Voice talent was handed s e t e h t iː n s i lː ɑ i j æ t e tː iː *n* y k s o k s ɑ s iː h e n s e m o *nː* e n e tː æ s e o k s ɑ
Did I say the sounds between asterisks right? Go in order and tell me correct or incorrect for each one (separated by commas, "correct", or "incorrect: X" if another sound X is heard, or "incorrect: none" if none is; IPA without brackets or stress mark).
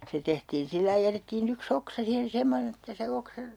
correct, incorrect: n